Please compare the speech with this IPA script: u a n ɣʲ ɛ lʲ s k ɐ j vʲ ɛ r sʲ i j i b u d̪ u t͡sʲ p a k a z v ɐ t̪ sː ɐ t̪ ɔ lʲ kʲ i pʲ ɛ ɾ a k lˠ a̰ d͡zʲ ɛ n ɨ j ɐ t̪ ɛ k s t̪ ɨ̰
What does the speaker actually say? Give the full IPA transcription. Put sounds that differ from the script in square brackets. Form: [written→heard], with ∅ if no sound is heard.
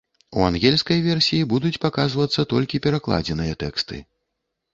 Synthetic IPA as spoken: u a n ɣʲ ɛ lʲ s k ɐ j vʲ ɛ r sʲ i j i b u d̪ u t͡sʲ p a k a z v ɐ t̪ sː ɐ t̪ ɔ lʲ kʲ i pʲ ɛ ɾ a k lˠ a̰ d͡zʲ ɛ n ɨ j ɐ t̪ ɛ k s t̪ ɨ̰